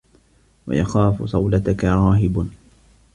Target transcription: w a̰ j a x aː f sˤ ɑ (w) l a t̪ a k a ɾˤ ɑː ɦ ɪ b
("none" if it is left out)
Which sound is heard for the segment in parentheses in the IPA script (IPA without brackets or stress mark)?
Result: w